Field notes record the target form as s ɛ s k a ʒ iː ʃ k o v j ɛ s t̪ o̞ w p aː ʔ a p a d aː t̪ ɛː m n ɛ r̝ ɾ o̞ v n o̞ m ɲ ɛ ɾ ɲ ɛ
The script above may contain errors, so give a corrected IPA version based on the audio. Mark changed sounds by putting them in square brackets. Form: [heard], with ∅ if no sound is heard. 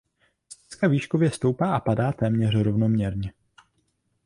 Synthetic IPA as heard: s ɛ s k a [v] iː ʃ k o v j ɛ s t̪ o̞ w p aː ʔ a p a d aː t̪ ɛː m [ɲ] ɛ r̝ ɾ o̞ v n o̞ m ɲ ɛ ɾ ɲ ɛ